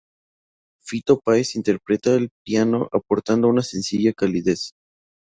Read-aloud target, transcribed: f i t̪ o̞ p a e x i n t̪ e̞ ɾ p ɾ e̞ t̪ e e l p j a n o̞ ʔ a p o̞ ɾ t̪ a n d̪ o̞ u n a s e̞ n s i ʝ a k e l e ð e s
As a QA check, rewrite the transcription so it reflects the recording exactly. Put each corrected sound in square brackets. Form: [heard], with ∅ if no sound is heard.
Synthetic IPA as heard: f i t̪ o̞ p a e [s] i n t̪ e̞ ɾ p ɾ e̞ t̪ [a] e l p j a n o̞ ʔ a p o̞ ɾ t̪ a n d̪ o̞ u n a s e̞ n s i ʝ a k [a] l [i] ð e s